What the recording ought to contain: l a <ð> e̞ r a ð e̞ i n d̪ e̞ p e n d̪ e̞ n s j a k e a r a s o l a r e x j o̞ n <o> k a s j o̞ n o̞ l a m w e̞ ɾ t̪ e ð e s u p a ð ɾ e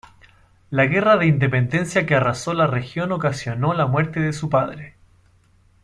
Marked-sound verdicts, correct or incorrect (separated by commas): incorrect, correct